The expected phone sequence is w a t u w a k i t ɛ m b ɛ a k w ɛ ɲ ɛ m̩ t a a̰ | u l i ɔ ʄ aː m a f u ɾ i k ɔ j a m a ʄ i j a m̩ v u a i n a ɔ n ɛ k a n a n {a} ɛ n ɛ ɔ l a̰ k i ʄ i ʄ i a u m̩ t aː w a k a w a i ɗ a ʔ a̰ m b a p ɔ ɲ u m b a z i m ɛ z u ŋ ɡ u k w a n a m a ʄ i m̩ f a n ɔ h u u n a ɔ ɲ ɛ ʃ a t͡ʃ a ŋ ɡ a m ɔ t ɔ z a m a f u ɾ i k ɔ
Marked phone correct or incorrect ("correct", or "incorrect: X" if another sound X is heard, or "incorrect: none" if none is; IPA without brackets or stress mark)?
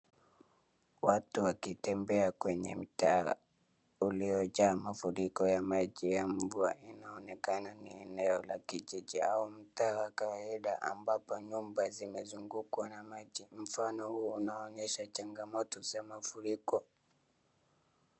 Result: incorrect: i